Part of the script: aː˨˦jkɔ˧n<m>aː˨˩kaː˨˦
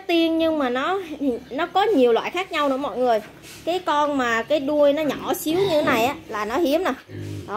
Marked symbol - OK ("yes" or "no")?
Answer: yes